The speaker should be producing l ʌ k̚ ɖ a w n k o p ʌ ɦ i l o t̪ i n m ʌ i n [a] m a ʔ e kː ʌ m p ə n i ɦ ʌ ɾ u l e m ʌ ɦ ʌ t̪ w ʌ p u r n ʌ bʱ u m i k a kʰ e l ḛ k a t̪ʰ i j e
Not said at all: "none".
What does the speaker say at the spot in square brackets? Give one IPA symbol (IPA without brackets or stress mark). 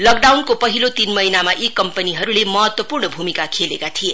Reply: a